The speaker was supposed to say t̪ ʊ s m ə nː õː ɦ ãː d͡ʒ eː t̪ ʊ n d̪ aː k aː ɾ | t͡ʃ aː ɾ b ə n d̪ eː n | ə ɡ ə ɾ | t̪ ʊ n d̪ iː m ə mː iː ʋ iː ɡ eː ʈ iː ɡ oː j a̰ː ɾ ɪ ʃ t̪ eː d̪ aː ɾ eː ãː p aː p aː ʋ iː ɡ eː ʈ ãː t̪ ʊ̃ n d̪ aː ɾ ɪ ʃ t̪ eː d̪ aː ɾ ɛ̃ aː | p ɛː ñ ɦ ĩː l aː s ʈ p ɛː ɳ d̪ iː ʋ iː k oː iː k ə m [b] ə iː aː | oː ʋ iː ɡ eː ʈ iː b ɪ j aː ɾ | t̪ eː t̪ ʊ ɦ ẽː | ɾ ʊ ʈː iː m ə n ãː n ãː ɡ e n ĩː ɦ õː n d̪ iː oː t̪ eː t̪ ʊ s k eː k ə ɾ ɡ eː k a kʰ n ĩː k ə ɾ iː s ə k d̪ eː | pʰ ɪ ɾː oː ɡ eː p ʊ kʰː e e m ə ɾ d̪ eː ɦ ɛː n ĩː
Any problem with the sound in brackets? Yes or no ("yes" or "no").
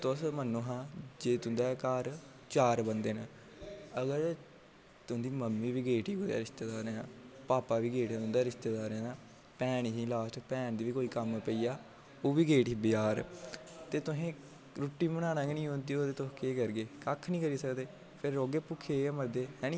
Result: yes